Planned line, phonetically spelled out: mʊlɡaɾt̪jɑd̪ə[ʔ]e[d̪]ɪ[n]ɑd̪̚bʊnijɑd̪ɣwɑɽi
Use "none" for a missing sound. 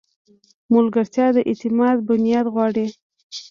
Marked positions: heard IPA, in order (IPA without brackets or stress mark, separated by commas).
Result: ʔ, t̪, m